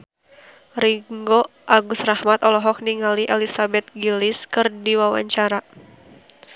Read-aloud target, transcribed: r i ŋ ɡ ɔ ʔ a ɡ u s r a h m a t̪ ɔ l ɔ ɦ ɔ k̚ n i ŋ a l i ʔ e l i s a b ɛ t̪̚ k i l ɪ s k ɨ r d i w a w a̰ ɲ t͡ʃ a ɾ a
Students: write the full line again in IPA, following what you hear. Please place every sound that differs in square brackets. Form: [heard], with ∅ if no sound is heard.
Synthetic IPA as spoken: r i ŋ ɡ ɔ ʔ a ɡ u s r a h m a t̪ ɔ l ɔ ɦ ɔ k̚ n i ŋ a l i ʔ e l i s a b ɛ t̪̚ [ɡ] i l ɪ s k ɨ r d i w a w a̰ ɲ t͡ʃ a ɾ a